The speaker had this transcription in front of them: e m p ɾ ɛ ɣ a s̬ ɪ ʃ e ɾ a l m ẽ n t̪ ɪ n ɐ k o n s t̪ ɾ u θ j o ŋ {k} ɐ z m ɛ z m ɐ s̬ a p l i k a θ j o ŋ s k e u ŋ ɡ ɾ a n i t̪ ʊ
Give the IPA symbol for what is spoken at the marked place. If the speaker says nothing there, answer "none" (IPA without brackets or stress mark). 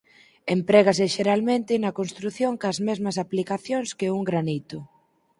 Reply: k